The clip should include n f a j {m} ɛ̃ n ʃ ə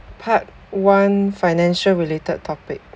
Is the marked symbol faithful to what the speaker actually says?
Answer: no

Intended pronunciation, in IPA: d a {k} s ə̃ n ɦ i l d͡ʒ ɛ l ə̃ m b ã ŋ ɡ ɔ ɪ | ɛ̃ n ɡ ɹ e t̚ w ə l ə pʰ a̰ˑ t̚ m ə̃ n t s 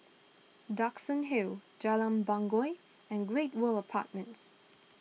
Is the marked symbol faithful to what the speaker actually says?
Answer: yes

